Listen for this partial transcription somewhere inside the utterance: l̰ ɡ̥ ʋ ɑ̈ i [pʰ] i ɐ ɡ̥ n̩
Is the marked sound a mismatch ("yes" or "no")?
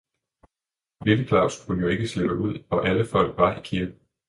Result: yes